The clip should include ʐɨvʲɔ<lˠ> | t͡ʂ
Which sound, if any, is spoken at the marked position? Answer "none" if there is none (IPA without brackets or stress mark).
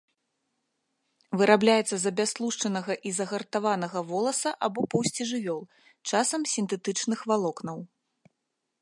lˠ